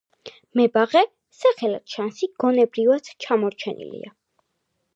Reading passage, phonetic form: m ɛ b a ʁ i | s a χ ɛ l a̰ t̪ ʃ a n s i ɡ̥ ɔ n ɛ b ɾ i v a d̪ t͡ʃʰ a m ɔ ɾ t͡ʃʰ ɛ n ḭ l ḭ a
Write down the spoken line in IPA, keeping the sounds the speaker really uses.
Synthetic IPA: m ɛ b a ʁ ɛ | s a χ ɛ l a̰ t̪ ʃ a n s i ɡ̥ ɔ n ɛ b ɾ i v a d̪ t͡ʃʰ a m ɔ ɾ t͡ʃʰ ɛ n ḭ l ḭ a